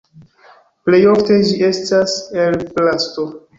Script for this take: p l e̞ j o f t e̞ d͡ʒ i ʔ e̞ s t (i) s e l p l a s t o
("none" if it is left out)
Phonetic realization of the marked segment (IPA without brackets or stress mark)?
a